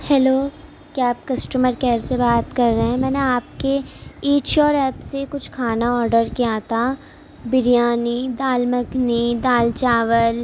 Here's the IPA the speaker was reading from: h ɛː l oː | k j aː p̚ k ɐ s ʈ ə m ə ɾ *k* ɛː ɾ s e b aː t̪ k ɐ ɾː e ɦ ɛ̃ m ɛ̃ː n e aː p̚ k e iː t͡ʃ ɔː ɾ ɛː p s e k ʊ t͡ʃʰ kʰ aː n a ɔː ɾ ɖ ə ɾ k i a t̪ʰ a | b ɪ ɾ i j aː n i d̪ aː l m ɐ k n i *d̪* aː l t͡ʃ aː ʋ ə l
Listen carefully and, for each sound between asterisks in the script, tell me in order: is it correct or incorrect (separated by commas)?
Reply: correct, correct